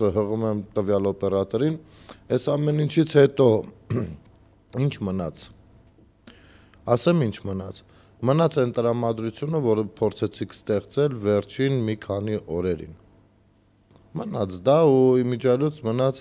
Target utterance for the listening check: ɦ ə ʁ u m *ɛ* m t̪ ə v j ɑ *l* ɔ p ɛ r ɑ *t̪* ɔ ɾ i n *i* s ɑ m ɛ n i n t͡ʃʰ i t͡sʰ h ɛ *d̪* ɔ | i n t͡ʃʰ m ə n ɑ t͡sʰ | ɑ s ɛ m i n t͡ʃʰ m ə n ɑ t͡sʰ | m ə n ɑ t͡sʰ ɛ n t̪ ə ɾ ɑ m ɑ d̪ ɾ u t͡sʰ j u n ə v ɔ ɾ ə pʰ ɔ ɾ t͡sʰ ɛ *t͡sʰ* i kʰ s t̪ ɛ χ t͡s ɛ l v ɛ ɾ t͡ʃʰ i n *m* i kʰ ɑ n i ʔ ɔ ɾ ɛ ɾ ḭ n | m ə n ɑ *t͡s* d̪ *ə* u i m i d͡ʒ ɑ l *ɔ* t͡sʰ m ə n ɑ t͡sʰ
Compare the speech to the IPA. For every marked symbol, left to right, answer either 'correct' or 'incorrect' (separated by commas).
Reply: correct, correct, correct, incorrect, incorrect, correct, correct, incorrect, incorrect, incorrect